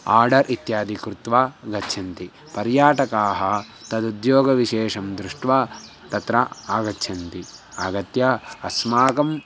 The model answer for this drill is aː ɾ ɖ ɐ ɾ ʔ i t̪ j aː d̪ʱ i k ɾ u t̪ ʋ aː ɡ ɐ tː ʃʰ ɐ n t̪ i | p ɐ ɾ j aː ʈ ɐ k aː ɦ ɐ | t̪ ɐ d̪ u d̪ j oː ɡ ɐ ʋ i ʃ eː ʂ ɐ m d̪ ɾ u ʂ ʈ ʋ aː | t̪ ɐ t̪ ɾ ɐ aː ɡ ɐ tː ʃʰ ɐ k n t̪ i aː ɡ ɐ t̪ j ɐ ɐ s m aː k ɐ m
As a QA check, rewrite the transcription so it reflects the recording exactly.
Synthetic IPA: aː ɾ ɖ ɐ ɾ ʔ i t̪ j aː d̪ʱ i k ɾ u t̪ ʋ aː ɡ ɐ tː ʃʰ ɐ n t̪ i | p ɐ ɾ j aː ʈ ɐ k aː ɦ ɐ | t̪ ɐ d̪ u d̪ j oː ɡ ɐ ʋ i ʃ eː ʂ ɐ m d̪ ɾ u ʂ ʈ ʋ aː | t̪ ɐ t̪ ɾ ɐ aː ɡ ɐ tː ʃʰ ɐ n t̪ i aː ɡ ɐ t̪ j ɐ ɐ s m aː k ɐ m